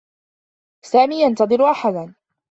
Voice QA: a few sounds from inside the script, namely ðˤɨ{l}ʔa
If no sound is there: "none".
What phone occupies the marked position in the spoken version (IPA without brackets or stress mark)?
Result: ɾ